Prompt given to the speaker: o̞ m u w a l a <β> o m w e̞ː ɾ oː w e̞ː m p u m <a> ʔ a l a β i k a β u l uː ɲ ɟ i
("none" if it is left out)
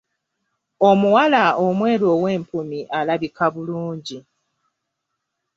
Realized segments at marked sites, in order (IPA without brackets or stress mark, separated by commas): none, i